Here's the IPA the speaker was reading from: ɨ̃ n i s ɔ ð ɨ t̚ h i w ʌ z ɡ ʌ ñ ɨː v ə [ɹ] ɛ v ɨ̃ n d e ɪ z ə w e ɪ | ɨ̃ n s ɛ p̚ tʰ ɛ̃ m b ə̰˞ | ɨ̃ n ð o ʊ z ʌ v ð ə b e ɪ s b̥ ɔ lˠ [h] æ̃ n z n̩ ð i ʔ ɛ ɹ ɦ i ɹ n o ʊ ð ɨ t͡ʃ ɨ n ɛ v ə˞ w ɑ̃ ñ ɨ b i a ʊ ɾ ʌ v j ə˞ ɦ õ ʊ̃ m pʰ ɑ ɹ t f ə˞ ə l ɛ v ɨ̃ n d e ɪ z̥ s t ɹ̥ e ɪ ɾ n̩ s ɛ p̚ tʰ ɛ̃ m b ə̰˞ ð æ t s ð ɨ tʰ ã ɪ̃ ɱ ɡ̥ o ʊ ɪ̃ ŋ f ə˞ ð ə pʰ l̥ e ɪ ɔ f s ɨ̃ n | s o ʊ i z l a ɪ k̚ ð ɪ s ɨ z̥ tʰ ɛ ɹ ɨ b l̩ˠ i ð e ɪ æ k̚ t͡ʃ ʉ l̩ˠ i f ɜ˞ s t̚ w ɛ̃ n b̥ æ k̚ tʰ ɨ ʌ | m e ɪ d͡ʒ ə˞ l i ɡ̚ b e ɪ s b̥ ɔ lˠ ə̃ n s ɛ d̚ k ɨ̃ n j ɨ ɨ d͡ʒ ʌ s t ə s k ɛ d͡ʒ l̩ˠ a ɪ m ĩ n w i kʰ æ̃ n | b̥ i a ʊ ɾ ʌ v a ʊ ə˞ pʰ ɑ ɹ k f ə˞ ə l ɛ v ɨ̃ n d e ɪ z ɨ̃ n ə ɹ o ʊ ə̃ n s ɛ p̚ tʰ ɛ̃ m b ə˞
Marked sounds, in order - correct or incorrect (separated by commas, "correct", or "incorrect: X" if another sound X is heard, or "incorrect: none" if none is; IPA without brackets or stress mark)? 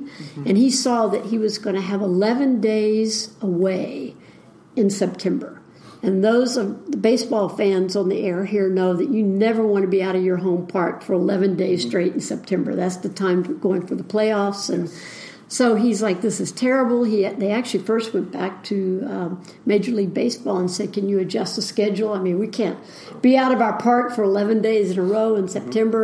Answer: incorrect: l, incorrect: f